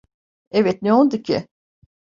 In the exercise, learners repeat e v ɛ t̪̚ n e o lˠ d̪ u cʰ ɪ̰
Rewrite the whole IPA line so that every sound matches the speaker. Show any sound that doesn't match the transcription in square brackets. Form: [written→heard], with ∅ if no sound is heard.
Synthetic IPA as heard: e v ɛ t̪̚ n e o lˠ d̪ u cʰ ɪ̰